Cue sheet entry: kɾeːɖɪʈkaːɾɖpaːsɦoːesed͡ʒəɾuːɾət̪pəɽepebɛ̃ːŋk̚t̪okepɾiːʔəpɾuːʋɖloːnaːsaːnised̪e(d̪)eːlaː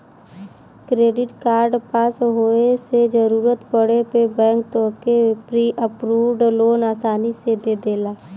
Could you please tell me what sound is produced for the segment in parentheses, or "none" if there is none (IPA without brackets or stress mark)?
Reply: d̪